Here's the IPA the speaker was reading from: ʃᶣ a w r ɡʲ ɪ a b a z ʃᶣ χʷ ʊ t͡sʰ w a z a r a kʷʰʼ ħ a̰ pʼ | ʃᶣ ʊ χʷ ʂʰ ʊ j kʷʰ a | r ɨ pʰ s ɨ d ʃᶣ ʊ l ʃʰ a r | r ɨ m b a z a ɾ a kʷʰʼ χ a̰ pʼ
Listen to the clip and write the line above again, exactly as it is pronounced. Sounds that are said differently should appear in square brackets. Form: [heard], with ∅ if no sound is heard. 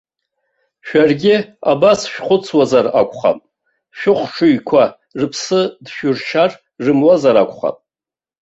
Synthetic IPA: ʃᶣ a [∅] r ɡʲ ɪ a b a [s] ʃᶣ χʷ ʊ t͡sʰ w a z a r a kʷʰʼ [χ] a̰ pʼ | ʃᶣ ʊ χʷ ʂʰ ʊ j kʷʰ a | r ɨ pʰ s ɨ d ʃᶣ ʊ [r] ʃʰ a r | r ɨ m [w] a z a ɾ a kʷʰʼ χ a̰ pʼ